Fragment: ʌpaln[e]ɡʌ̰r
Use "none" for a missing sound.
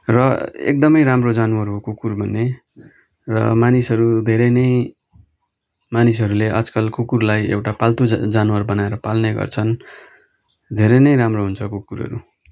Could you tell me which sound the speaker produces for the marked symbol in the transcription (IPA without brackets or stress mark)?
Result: e